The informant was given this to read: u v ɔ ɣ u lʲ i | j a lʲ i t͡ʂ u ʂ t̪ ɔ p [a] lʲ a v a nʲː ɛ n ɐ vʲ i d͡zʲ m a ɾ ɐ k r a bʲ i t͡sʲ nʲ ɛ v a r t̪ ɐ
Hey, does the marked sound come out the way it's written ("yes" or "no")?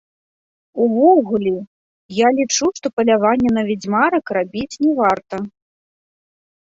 no